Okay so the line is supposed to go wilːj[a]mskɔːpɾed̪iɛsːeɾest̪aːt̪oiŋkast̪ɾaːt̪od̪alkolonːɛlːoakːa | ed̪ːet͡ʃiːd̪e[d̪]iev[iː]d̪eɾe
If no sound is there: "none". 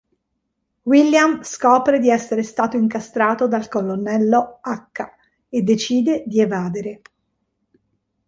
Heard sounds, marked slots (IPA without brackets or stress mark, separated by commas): a, d̪, aː